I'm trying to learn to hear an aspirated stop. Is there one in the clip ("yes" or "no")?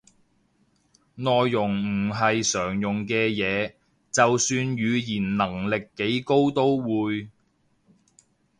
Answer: no